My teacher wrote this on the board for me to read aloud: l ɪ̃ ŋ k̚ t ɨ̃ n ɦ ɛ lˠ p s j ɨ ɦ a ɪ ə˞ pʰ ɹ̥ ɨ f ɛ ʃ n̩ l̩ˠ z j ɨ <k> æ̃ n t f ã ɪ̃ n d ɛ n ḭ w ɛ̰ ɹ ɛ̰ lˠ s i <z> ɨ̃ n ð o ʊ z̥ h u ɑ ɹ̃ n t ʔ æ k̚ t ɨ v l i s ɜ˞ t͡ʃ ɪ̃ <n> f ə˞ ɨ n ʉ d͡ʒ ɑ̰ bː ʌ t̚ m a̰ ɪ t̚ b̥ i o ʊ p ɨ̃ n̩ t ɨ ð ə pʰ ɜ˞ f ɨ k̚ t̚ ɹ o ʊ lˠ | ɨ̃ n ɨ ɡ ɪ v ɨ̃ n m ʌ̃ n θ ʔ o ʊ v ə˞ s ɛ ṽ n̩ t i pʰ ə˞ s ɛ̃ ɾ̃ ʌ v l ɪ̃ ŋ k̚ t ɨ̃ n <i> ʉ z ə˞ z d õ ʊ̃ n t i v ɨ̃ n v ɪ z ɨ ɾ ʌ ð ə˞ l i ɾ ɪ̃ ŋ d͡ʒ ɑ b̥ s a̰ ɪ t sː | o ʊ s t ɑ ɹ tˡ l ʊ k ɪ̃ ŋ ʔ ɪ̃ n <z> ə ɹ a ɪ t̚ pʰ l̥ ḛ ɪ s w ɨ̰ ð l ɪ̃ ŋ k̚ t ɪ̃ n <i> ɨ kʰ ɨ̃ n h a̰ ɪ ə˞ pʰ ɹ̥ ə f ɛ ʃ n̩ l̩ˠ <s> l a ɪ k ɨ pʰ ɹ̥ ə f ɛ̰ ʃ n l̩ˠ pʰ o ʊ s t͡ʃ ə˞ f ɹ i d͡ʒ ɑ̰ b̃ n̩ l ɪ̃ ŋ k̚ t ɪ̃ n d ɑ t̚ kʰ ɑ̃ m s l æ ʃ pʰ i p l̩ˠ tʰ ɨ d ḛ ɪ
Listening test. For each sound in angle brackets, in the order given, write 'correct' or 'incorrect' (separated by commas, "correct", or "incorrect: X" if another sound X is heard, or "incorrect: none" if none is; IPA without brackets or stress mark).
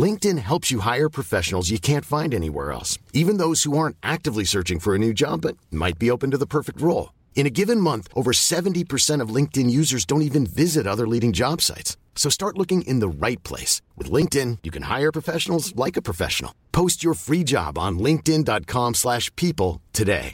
incorrect: kʰ, incorrect: v, incorrect: ŋ, incorrect: j, incorrect: ð, incorrect: j, incorrect: z